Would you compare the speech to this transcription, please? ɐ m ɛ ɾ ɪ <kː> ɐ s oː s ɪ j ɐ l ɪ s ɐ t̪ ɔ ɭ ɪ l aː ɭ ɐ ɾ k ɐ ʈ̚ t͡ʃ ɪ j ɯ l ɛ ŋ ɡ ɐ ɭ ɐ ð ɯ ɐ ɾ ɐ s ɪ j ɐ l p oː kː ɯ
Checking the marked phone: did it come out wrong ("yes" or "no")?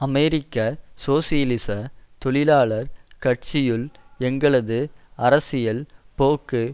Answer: no